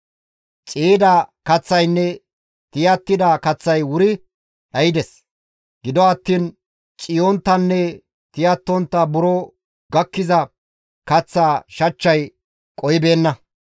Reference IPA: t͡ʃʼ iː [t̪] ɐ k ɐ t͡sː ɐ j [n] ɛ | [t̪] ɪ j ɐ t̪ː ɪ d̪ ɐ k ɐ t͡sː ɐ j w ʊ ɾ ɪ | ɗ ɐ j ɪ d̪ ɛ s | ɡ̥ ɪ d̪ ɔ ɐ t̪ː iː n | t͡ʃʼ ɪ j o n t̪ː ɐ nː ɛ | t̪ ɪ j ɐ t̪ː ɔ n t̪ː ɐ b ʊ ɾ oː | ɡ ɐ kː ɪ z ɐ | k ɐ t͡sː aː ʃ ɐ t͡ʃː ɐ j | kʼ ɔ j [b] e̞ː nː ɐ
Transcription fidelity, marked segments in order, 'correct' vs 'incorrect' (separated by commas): incorrect, incorrect, correct, correct